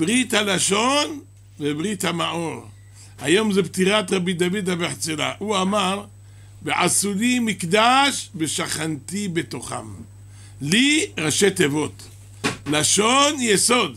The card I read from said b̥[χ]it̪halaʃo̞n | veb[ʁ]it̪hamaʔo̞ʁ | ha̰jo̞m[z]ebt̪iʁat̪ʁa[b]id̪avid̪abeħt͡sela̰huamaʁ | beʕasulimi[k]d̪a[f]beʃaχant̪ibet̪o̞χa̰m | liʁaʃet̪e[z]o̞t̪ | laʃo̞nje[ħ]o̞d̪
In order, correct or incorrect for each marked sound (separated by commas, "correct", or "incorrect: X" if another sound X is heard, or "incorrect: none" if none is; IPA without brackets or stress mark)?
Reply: incorrect: ʁ, correct, correct, correct, correct, incorrect: ʃ, incorrect: v, incorrect: s